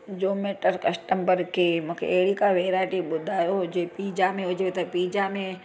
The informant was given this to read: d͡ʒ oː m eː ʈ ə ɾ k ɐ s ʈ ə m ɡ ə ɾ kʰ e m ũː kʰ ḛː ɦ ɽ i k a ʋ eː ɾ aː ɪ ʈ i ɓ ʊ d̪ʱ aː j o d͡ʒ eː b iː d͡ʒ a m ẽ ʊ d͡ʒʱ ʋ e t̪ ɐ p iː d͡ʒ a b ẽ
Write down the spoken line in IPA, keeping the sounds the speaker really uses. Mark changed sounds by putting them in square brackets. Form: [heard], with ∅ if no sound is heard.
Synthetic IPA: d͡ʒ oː m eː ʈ ə ɾ k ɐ s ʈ ə m [b] ə ɾ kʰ e m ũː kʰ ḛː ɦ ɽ i k a ʋ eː ɾ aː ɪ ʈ i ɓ ʊ d̪ʱ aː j o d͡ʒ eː [p] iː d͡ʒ a m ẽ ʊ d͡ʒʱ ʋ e t̪ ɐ p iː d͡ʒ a [m] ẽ